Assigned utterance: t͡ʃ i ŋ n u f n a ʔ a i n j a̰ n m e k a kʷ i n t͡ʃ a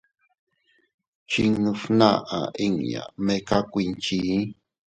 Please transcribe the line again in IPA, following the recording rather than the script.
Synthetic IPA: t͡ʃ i ŋ n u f n a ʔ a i ŋ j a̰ m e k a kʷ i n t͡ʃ i